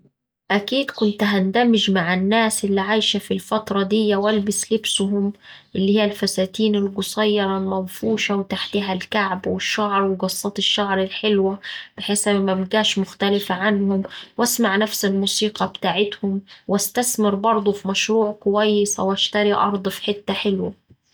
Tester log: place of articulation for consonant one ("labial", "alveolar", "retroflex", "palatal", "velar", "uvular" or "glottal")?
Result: glottal